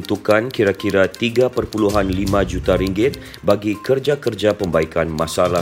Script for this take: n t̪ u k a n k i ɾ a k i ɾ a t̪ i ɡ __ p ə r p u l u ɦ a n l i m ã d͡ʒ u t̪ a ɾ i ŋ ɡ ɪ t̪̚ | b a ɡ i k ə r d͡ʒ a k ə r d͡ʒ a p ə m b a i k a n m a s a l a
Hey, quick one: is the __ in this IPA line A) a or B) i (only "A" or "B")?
A